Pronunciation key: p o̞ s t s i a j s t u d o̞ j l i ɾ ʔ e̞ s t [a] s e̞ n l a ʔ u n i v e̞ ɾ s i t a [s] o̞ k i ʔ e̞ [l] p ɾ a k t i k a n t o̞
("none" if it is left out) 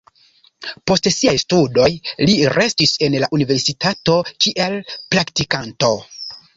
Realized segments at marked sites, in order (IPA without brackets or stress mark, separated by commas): i, t, l